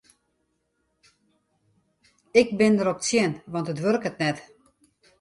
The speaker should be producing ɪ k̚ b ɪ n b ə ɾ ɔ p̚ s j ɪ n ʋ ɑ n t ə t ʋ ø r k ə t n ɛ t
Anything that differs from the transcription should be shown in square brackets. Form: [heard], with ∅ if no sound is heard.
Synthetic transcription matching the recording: ɪ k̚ b ɪ n [d] ə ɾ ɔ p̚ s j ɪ n ʋ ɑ n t ə t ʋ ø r k ə t n ɛ t